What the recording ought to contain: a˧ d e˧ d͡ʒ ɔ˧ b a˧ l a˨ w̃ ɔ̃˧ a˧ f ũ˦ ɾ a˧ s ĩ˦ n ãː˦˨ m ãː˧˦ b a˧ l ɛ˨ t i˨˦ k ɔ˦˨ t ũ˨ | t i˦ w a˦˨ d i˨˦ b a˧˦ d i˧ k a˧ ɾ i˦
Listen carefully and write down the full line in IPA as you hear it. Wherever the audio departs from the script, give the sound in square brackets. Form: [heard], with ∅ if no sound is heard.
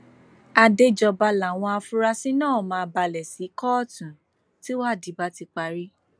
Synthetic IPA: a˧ d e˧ d͡ʒ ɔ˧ b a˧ l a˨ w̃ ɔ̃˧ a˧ f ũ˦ ɾ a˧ s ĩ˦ n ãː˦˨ m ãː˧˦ b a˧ l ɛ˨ [s] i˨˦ k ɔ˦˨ t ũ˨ | t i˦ w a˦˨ d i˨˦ b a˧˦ [t] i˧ [k͡p] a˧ ɾ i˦